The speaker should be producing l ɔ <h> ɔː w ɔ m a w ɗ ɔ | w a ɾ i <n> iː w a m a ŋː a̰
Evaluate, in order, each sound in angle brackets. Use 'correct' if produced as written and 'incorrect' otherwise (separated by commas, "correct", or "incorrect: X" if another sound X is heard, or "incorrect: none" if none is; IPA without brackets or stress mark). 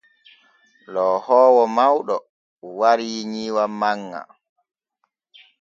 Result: correct, incorrect: ɲ